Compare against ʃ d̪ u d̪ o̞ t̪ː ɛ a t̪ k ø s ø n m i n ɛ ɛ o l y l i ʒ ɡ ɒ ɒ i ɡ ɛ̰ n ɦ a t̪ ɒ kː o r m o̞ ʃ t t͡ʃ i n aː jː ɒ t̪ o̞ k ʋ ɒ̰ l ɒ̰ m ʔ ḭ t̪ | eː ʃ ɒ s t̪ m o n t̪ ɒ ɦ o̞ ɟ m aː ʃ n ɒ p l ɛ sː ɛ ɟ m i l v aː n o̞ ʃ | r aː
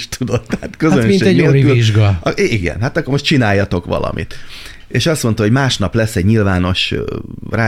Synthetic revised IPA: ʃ t̪ u d̪ o̞ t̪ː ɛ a t̪ k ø z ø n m i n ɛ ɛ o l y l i ʒ ɡ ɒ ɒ i ɡ ɛ̰ n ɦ a t̪ ɒ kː o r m o̞ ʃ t t͡ʃ i n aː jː ɒ t̪ o̞ k ʋ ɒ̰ l ɒ̰ m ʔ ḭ t̪ | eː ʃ ɒ s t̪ m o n t̪ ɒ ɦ o̞ ɟ m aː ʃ n ɒ p l ɛ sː ɛ ɟ ɲ i l v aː n o̞ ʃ | r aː